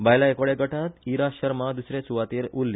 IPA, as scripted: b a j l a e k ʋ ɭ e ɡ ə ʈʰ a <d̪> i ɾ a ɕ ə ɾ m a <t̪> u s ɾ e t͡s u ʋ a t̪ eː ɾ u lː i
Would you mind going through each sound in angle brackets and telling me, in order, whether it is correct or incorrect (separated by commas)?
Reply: incorrect, incorrect